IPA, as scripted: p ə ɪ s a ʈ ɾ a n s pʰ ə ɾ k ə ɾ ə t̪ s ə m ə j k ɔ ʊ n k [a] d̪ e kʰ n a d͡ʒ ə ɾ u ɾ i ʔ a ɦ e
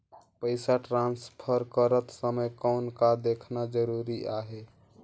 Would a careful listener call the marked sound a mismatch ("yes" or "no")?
no